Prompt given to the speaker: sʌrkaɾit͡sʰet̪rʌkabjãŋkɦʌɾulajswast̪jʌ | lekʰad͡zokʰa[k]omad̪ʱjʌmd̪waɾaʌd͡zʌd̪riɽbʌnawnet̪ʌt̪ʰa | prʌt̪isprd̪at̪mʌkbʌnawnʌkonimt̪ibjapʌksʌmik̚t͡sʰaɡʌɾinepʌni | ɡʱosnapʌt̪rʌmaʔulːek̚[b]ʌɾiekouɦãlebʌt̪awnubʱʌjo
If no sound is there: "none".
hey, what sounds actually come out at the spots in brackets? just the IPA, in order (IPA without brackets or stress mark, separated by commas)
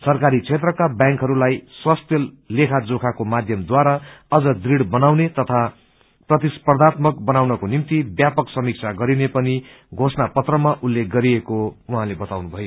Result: k, ɡ